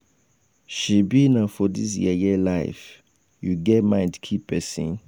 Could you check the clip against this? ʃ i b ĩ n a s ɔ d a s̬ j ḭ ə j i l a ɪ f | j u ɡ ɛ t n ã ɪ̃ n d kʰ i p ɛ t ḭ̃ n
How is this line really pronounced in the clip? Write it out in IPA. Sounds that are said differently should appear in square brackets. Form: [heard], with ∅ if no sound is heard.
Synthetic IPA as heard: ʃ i b [i] n a [f] ɔ d [i] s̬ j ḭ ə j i l a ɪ f | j u ɡ ɛ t [m] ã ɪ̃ n d kʰ i p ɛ [s] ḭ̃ n